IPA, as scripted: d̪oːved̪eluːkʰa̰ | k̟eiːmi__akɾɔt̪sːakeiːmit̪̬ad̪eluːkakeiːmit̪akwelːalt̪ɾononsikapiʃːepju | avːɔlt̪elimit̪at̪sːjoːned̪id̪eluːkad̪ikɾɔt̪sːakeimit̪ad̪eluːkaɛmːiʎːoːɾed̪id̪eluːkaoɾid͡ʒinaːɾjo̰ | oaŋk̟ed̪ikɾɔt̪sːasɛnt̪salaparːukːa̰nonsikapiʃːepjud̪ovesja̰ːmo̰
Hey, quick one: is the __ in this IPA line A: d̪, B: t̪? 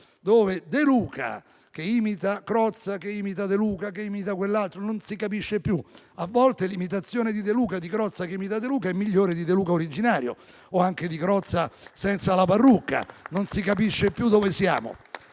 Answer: B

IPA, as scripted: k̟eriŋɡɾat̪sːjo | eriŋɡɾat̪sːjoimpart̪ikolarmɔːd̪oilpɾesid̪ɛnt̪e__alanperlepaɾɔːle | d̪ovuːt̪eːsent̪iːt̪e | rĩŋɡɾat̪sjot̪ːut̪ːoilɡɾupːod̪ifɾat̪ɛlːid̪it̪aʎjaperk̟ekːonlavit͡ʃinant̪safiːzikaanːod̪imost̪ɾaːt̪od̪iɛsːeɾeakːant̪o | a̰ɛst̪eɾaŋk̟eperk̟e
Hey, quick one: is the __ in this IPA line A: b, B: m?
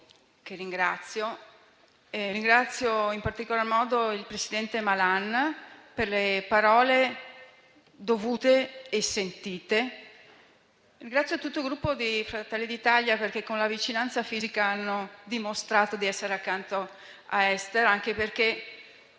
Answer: B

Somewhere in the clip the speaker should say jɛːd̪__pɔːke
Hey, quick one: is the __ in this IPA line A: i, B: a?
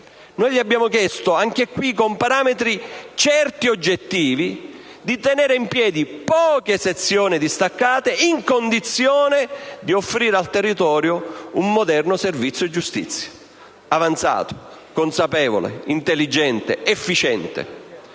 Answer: A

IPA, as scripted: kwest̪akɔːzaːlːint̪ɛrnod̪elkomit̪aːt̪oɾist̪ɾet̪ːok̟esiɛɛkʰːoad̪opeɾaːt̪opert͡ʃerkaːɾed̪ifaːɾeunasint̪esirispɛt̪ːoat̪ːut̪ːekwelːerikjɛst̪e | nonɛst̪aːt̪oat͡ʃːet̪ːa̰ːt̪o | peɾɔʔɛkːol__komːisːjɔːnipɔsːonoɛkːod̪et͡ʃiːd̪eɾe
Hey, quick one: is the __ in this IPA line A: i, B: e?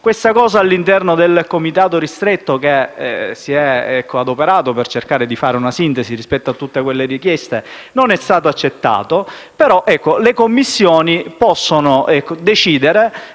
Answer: B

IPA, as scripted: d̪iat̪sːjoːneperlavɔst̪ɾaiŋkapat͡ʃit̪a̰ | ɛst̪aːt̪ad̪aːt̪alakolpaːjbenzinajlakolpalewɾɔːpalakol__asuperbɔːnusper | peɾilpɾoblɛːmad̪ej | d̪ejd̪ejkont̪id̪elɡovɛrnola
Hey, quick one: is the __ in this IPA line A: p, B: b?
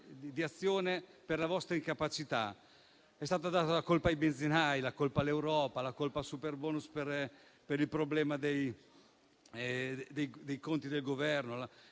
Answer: A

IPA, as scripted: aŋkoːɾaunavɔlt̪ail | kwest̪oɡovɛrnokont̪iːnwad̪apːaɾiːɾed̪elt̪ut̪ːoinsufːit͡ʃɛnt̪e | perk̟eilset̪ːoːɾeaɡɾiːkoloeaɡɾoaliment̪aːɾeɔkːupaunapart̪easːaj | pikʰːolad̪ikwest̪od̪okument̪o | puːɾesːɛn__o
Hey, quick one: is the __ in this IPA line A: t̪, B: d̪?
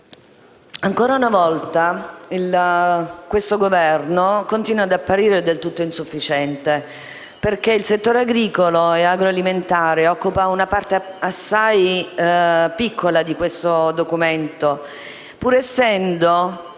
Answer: B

